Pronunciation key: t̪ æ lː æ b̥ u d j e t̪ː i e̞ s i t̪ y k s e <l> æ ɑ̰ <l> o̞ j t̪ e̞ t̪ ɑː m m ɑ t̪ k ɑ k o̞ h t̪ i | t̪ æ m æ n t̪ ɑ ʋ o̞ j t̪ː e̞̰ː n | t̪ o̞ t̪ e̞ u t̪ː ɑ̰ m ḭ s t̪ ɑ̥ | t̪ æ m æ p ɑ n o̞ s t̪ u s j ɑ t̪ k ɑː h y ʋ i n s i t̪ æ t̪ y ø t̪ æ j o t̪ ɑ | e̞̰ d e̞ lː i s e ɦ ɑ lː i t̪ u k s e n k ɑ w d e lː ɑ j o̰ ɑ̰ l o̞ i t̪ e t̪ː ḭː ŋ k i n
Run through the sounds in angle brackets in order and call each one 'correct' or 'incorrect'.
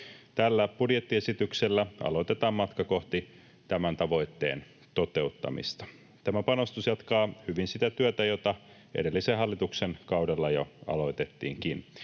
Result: incorrect: lː, correct

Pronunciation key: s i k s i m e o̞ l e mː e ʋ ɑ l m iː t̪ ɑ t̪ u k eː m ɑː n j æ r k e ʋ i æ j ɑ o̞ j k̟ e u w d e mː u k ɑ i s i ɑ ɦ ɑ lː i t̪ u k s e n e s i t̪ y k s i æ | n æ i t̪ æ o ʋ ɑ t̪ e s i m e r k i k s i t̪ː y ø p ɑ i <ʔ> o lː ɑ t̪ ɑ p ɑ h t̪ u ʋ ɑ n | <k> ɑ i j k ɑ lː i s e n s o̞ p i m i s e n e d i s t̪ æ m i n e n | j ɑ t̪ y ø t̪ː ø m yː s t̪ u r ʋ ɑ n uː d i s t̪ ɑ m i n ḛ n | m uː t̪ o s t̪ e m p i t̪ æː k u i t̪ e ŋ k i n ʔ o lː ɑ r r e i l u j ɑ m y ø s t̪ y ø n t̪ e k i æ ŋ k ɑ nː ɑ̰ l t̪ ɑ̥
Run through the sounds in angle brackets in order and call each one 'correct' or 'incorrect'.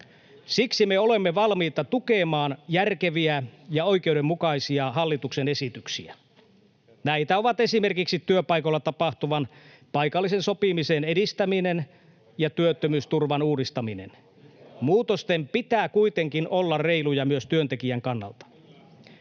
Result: incorrect: k, incorrect: p

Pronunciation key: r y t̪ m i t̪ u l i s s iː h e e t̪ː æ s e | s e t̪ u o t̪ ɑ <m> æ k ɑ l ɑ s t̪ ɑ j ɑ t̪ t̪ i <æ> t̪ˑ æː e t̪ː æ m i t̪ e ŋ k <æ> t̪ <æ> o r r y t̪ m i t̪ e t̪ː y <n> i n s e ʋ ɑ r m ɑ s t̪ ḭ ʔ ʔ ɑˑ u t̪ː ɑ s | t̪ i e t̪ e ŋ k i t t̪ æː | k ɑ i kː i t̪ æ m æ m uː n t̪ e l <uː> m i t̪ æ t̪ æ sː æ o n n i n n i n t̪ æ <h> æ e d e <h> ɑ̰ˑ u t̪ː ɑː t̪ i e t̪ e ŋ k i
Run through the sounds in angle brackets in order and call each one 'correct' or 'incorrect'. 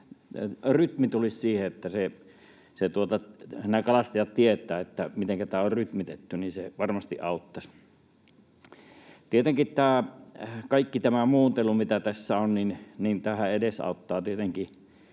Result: incorrect: n, incorrect: e, correct, incorrect: æː, correct, incorrect: u, correct, incorrect: s

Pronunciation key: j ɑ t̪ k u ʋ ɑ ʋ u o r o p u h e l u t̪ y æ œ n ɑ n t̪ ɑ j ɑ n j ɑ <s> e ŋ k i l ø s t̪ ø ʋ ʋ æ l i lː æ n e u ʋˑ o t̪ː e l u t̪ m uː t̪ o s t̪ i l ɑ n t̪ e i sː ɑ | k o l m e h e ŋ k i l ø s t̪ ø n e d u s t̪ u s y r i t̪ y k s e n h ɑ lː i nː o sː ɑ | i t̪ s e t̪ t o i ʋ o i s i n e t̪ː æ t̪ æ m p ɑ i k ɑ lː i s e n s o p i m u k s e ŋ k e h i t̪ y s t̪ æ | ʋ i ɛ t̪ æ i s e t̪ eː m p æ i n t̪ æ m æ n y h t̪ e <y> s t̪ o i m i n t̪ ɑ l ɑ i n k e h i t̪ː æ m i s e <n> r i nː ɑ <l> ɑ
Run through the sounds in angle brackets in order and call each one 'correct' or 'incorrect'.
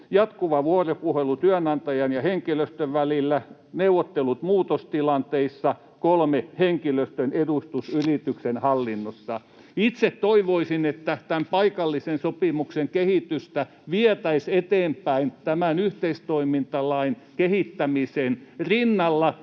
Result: incorrect: h, incorrect: i, correct, incorrect: lː

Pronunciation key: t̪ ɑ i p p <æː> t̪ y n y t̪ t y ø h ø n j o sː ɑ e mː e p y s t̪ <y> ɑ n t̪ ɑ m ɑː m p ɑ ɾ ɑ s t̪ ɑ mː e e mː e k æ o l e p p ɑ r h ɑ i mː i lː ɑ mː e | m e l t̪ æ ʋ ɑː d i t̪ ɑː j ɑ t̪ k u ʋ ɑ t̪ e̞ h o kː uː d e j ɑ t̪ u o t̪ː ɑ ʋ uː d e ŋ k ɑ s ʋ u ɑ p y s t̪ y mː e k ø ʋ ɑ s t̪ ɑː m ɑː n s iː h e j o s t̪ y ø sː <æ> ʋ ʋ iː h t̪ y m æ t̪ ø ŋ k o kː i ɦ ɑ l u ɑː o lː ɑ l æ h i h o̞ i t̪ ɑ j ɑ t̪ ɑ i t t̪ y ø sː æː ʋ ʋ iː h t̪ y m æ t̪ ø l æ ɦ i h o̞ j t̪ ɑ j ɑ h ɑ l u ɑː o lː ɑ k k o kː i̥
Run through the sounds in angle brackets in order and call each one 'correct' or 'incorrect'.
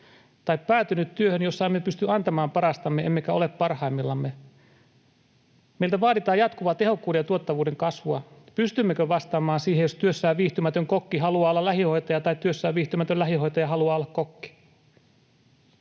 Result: correct, correct, incorrect: æː

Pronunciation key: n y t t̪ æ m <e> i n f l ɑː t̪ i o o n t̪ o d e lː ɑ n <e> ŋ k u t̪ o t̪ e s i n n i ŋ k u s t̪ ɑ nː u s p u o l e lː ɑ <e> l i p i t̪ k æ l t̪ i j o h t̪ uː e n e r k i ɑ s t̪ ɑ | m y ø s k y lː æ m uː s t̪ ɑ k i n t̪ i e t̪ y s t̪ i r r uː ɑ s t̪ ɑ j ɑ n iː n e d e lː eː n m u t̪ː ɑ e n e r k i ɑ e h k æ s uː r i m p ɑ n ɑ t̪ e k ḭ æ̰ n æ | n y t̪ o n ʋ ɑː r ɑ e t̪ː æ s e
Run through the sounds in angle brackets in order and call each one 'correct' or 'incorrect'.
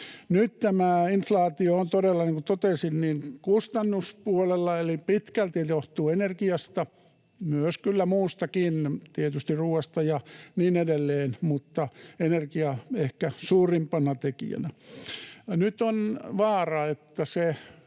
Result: incorrect: æ, correct, correct

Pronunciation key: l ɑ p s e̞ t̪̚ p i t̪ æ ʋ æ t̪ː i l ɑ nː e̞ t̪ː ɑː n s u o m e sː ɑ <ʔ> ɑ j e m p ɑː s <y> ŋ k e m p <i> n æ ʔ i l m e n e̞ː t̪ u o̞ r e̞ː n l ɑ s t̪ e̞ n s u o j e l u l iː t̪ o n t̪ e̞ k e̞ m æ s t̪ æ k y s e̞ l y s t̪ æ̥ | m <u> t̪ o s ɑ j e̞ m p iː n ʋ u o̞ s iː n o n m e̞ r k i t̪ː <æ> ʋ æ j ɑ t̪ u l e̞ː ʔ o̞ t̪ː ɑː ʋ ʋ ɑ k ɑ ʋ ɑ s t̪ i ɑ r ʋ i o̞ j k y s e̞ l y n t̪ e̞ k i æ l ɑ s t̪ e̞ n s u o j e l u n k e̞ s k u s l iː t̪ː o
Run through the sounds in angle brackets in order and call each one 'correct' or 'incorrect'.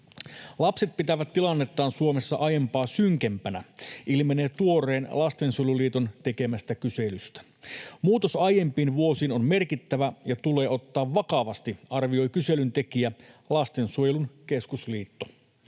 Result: correct, correct, incorrect: æ, incorrect: uː, correct

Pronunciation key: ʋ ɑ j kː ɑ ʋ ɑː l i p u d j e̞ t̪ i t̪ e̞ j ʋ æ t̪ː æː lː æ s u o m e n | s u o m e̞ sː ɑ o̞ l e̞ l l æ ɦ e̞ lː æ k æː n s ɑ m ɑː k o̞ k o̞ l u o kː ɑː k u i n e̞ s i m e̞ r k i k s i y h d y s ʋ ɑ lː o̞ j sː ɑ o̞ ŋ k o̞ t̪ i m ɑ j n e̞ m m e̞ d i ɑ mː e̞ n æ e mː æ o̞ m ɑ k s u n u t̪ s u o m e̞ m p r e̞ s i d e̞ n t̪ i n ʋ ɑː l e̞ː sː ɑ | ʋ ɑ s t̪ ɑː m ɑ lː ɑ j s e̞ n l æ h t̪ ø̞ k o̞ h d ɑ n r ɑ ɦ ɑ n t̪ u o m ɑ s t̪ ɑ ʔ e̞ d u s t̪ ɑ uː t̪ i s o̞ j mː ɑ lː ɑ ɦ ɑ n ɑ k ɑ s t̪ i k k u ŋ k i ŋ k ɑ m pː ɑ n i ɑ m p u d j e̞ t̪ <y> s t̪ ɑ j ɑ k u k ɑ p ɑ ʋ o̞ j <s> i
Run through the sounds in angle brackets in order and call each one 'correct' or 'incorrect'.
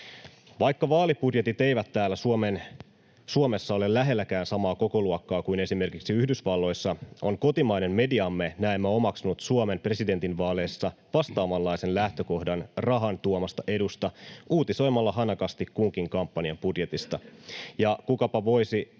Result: incorrect: i, correct

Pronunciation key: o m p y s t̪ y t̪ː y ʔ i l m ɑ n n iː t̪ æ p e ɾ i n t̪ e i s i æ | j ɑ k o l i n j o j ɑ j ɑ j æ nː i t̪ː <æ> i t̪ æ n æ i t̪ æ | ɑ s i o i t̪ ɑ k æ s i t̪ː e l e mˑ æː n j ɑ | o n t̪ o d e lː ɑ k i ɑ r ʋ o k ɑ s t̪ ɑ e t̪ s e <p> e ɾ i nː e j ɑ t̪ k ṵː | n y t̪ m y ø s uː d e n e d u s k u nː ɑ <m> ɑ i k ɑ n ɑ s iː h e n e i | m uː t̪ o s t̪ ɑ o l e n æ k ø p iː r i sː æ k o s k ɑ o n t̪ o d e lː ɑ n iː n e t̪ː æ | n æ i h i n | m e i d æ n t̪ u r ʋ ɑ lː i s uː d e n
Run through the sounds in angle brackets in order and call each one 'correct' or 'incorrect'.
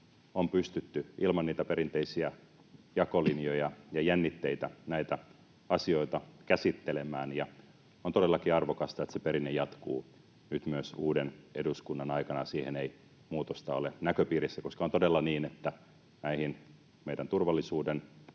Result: incorrect: e, correct, incorrect: n

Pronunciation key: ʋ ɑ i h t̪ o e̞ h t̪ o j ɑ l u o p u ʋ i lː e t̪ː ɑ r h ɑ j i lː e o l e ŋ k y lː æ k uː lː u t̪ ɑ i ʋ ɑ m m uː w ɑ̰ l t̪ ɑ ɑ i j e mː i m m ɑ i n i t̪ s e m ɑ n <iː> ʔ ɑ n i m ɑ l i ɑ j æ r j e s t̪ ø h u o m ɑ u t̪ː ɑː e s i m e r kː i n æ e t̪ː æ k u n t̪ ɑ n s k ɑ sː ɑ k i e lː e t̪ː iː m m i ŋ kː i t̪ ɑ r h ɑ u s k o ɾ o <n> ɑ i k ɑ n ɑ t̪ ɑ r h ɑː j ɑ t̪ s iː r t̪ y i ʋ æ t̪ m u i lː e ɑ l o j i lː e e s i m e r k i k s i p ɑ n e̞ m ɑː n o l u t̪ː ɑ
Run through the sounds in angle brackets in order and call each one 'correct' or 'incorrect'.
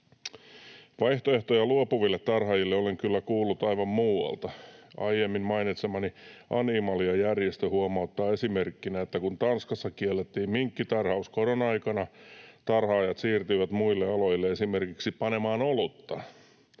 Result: incorrect: i, correct

